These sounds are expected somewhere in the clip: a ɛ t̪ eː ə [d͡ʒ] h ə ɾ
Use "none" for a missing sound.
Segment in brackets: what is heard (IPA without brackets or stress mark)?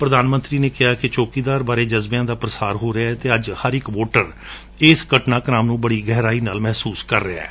d͡ʒ